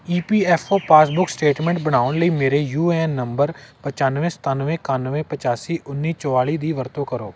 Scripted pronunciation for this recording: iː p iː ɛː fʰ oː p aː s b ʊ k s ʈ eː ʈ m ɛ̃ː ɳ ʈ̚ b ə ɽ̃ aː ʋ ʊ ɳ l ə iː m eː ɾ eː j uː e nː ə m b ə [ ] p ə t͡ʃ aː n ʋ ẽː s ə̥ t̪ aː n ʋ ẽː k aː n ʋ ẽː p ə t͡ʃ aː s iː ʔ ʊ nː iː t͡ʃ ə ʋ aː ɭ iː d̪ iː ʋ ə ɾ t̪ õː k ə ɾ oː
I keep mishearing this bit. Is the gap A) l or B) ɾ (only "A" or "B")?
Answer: B